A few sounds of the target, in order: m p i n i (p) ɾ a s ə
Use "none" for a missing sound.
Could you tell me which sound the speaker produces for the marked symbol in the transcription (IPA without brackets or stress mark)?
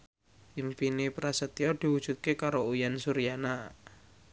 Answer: p